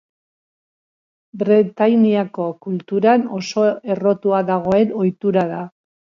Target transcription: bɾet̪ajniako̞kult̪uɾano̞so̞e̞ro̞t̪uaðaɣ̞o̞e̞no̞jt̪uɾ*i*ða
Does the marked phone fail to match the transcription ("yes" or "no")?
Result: yes